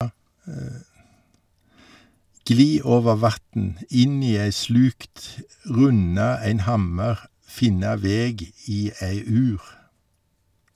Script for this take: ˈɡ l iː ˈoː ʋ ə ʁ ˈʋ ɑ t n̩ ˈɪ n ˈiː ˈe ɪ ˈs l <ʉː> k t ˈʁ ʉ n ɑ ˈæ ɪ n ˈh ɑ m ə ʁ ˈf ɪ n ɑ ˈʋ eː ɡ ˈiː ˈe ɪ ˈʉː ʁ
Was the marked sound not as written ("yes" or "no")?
no